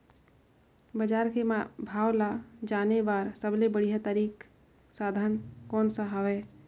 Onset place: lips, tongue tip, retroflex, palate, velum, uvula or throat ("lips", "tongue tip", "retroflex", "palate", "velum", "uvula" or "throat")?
lips